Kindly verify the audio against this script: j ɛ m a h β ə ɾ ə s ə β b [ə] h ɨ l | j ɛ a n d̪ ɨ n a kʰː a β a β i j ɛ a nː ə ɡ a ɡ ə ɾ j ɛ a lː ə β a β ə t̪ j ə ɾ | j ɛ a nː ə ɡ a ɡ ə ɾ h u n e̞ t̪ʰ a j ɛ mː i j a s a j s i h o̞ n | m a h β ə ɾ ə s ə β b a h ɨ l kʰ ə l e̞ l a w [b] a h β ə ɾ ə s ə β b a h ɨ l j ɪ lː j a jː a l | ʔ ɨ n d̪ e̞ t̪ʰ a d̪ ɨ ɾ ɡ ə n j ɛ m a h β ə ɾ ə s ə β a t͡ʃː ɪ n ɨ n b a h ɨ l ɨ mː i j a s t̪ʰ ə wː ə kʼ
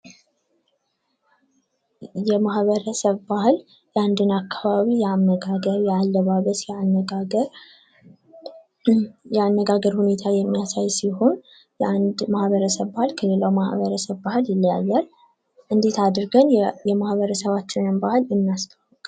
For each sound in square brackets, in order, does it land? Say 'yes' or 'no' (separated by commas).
no, no